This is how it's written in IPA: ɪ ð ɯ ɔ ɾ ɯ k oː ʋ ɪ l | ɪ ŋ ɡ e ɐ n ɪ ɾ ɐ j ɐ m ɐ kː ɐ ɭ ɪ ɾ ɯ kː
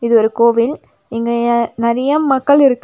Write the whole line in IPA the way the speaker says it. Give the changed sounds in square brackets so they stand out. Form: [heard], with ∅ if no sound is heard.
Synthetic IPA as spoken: ɪ ð ɯ ɔ ɾ ɯ k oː ʋ ɪ l | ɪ ŋ ɡ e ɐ n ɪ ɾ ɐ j ɐ m ɐ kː ɐ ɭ ɪ ɾ ɯ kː